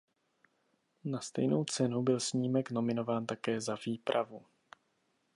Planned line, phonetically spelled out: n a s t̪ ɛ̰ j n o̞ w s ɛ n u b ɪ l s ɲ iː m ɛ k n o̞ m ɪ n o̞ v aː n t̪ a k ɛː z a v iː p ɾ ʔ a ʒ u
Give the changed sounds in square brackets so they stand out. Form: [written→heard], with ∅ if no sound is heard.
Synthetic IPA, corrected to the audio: n a s t̪ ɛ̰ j n o̞ w [s→t͡s] ɛ n u b ɪ l s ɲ iː m ɛ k n o̞ m ɪ n o̞ v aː n t̪ a k ɛː z a v iː p ɾ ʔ a [ʒ→v] u